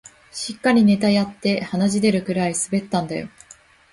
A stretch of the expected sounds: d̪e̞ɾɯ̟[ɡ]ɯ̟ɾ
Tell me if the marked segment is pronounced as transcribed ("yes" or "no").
no